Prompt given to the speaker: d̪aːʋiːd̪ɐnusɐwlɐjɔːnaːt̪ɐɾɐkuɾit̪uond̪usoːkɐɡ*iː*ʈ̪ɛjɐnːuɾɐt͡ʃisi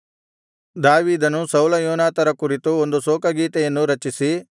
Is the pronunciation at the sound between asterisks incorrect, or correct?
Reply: correct